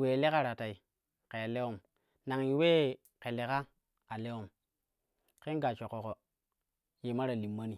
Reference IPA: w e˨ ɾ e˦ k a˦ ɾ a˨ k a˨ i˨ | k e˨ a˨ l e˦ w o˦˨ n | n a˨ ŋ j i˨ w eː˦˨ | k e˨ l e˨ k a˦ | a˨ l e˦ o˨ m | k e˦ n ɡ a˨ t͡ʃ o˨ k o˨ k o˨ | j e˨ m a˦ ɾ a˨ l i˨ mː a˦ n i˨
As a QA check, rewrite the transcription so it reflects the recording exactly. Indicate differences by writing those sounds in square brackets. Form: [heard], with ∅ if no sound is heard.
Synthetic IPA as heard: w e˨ [l] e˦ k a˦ ɾ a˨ [t] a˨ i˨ | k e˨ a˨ l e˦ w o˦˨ [m] | n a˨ ŋ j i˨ w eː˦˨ | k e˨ l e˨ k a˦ | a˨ l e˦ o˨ m | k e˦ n ɡ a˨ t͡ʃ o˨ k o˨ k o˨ | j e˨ m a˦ ɾ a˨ l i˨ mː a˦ n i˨